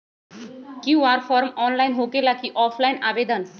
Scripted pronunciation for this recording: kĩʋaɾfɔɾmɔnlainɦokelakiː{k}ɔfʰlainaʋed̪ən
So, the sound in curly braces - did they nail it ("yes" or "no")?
no